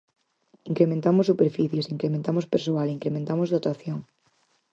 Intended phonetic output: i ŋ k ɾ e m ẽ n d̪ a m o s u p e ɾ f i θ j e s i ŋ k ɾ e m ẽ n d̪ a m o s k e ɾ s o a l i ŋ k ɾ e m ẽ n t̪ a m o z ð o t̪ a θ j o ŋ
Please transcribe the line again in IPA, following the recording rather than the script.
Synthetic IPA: i ŋ k ɾ e m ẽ n t̪ a m o s u p e ɾ f i θ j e s i ŋ k ɾ e m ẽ n t̪ a m o s p e ɾ s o a l i ŋ k ɾ e m ẽ n t̪ a m o z ð o t̪ a θ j o ŋ